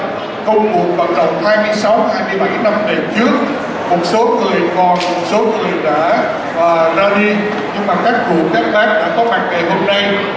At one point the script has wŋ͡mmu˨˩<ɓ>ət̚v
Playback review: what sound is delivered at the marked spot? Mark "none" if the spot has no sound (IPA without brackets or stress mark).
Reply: none